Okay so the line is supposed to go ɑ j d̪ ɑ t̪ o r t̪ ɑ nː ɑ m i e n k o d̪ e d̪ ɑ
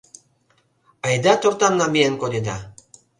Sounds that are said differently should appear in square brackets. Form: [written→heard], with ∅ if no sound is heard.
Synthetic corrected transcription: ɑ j d̪ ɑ t̪ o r t̪ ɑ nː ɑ m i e n k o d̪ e d̪ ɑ

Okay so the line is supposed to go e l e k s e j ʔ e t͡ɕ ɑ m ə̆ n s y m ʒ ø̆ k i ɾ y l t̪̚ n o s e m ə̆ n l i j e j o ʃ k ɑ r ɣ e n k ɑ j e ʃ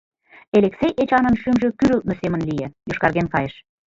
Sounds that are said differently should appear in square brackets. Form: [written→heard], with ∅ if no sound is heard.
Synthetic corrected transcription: e l e k s e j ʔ e t͡ɕ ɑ [m→n] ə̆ n [s→ʃ] y m ʒ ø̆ k [i→y] ɾ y l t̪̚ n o s e m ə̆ n l i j e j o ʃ k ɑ r ɣ e n k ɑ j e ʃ

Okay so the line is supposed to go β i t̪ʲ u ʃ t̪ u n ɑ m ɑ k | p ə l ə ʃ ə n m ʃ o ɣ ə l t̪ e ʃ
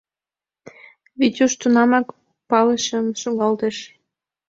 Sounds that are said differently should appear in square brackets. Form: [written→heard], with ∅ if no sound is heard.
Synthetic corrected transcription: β i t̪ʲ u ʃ t̪ u n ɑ m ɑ k | p [ə→ɑ] l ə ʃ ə [n→∅] m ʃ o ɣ [ə→ɑ] l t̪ e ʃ

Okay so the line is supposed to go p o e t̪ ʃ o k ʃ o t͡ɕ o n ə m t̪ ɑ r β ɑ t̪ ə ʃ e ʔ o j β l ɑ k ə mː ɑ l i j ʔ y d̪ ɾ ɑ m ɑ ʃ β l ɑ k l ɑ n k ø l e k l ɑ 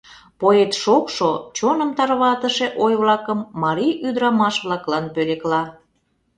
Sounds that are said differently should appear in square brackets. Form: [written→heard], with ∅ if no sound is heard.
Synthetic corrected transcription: p o e t̪ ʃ o k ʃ o t͡ɕ o n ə m t̪ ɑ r β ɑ t̪ ə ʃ e ʔ o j β l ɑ k ə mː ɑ [l→ɾ] i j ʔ y d̪ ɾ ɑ m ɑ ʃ β l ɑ k l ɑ n [k→p] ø l e k l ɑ

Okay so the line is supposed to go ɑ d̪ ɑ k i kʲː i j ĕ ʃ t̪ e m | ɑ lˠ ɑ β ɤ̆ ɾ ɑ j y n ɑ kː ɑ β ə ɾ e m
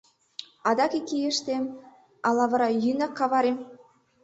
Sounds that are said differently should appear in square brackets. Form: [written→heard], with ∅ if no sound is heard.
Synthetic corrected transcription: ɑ d̪ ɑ k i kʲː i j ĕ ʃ t̪ e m | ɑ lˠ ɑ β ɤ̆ ɾ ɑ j y n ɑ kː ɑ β [ə→ɑ] ɾ e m

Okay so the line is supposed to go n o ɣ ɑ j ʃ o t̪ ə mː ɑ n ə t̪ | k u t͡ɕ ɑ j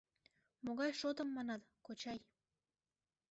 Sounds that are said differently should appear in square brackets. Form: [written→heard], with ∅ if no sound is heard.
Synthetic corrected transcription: [n→m] o ɣ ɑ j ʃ o t̪ ə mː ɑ n [ə→ɑ] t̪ | k [u→o] t͡ɕ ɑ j

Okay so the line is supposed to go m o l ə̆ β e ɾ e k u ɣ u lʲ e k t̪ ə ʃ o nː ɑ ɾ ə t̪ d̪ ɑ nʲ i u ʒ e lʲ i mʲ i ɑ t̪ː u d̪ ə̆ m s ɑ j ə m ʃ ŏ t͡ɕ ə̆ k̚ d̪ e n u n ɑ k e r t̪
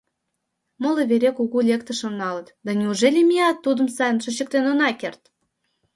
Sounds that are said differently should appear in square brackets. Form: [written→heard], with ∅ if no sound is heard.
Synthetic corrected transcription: m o l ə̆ β e ɾ e k u ɣ u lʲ e k t̪ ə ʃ o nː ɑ [ɾ→l] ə t̪ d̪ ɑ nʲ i u ʒ e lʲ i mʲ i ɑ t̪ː u d̪ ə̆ m s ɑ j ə [m→n] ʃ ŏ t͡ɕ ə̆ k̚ [d̪→t̪] e n [u→o] n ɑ k e r t̪

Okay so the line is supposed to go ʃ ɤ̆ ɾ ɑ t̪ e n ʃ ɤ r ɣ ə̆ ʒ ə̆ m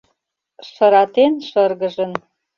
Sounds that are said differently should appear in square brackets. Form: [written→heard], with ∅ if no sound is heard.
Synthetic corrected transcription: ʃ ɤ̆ ɾ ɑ t̪ e n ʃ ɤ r ɣ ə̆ ʒ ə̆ [m→n]

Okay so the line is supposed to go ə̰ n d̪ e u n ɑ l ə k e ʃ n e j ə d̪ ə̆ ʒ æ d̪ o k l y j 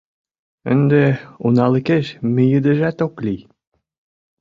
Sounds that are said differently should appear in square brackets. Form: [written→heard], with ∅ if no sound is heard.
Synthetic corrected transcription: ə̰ n d̪ e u n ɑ l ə k e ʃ [n→m] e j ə d̪ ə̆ ʒ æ [d̪→t̪] o k l [y→i] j

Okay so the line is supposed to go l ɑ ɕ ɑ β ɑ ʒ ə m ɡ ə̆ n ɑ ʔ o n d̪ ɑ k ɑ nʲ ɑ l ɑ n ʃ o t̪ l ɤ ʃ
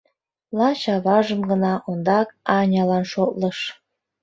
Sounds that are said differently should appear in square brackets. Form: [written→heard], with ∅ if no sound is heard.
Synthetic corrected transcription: l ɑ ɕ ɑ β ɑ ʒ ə m ɡ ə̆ n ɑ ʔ o n d̪ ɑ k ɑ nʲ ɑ l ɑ n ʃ o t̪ l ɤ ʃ

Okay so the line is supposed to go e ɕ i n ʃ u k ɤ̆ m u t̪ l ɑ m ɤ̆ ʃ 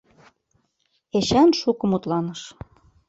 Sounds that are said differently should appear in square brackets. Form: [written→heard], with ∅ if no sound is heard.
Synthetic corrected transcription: e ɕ [i→æ] n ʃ u k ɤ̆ m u t̪ l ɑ [m→n] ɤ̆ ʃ

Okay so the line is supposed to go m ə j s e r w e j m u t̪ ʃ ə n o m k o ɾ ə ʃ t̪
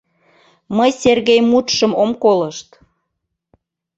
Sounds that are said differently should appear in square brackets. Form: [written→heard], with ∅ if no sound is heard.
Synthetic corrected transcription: m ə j s e r [w→ɣ] e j m u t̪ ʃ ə [n→m] o m k o [ɾ→l] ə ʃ t̪

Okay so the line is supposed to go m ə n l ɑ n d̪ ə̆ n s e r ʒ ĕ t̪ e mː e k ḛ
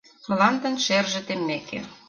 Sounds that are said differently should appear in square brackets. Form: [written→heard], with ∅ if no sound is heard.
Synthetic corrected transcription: m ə [n→∅] l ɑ n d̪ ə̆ n [s→ʃ] e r ʒ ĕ t̪ e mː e k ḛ

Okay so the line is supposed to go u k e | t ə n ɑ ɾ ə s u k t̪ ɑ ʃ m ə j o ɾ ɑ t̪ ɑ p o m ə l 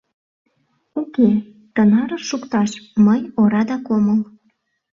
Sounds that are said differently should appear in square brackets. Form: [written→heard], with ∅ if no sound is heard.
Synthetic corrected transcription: u k e | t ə n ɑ ɾ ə [s→ʃ] u k t̪ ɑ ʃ m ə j o ɾ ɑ [t̪→d̪] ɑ [p→k] o m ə l

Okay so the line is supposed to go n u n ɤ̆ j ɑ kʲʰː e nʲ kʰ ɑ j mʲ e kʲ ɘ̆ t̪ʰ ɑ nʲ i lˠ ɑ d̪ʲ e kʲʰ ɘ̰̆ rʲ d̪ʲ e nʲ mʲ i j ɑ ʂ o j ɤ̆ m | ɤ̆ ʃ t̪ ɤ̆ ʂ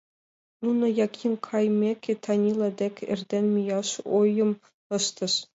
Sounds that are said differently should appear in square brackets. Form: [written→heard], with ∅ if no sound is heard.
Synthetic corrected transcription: n u n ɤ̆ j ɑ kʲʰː [e→i] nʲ kʰ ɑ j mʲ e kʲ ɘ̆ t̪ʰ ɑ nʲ i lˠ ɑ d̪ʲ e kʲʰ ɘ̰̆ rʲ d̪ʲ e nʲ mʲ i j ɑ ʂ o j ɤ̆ m | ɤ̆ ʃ t̪ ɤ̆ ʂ

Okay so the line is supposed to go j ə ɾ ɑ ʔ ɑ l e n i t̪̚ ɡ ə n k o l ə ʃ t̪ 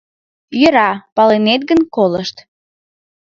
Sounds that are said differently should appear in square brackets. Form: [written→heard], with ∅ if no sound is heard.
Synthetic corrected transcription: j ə ɾ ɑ [ʔ→p] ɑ l e n [i→e] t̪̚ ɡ ə n k o l ə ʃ t̪

